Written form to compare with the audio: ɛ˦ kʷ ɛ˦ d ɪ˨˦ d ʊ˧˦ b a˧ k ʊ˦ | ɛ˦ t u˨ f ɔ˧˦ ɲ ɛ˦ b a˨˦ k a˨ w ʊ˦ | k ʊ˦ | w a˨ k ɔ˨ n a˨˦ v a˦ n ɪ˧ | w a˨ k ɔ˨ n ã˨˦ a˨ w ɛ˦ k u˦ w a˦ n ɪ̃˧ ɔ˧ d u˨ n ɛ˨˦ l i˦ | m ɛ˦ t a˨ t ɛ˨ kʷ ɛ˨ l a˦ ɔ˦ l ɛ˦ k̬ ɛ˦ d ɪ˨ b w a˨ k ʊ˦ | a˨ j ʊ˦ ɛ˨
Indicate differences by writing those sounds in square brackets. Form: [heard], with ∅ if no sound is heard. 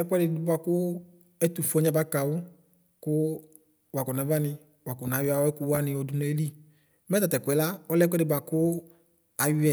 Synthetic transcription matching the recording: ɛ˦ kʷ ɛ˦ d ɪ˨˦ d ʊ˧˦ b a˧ k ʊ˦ | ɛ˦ t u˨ f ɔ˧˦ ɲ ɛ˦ b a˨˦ k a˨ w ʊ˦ | k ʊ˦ | w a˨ k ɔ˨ n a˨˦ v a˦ n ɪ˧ | w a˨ k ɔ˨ n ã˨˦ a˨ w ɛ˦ k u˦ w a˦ n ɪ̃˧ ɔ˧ d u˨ n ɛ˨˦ l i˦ | m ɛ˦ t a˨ t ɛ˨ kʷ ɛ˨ l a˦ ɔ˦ l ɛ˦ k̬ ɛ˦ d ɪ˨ b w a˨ k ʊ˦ | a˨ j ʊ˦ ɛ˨